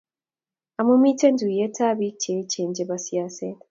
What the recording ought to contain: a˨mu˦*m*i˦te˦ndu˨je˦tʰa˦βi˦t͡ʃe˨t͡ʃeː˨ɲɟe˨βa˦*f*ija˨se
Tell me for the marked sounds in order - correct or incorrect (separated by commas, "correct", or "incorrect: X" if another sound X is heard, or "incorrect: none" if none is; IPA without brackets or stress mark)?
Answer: correct, incorrect: s